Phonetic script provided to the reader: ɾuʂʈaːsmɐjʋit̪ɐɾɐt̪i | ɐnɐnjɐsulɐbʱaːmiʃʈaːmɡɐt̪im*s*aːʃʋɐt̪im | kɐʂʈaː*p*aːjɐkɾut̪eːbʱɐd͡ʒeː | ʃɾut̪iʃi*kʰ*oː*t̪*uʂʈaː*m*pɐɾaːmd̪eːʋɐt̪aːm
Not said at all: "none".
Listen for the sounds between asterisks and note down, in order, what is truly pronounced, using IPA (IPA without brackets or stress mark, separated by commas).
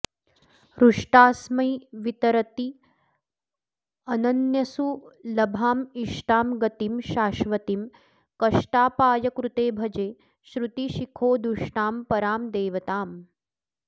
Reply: ʃ, p, kʰ, d̪, m